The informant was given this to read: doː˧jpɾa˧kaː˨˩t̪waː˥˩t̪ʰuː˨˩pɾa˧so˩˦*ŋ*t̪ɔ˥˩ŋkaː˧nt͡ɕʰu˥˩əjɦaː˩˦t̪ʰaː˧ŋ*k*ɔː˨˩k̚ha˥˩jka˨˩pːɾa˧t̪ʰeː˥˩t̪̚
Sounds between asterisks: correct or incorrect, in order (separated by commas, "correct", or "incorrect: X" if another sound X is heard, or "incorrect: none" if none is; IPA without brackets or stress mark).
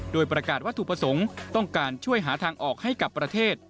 correct, incorrect: ʔ